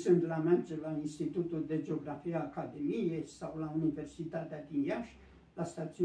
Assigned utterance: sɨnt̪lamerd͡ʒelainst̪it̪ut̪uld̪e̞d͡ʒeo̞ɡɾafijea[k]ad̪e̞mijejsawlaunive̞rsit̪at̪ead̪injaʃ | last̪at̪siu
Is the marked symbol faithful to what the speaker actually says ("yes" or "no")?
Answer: yes